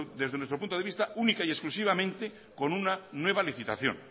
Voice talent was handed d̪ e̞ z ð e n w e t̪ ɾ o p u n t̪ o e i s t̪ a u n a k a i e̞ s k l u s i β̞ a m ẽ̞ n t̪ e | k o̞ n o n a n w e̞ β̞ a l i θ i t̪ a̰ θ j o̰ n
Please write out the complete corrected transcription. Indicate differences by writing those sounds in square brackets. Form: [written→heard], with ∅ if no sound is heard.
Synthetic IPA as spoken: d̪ e̞ z ð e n w e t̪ ɾ o p u n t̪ o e i s t̪ a u n [a→i] k a i e̞ s k l u s i β̞ a m ẽ̞ n t̪ e | k o̞ n [o→u] n a n w e̞ β̞ a l i θ i t̪ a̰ θ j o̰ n